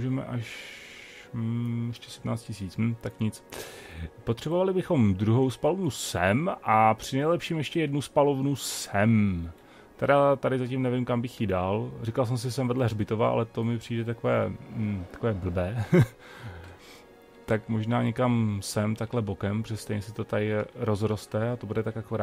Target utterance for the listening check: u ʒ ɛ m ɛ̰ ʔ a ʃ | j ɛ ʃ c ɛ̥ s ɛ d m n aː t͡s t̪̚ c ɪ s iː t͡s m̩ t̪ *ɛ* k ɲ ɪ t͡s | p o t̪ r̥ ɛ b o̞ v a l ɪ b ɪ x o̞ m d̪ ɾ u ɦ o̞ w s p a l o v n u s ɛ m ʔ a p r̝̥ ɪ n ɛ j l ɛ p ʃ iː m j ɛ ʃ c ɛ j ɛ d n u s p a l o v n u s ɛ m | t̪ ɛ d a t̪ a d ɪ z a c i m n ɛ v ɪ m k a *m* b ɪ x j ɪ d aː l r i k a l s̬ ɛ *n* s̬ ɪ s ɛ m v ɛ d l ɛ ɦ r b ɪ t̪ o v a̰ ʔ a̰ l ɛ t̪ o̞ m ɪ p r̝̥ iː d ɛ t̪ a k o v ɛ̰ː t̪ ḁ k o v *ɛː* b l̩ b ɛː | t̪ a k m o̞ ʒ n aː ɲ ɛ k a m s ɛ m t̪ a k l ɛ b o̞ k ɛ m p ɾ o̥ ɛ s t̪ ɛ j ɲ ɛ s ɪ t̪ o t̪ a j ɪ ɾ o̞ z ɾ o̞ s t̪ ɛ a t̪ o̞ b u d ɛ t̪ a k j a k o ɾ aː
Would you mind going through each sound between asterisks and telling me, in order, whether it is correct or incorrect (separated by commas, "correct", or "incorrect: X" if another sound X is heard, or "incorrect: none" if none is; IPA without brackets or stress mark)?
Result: incorrect: a, correct, incorrect: m, correct